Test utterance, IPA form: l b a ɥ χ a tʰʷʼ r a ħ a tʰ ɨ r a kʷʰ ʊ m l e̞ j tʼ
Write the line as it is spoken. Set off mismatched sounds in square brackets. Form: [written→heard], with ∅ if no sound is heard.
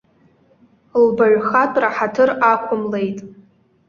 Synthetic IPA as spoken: l b a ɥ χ a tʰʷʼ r a ħ a tʰ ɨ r a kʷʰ ʊ m l e̞ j tʼ